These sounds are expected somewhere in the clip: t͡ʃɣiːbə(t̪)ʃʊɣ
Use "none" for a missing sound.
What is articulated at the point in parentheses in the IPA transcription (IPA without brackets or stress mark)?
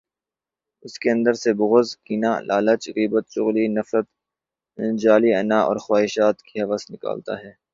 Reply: t̪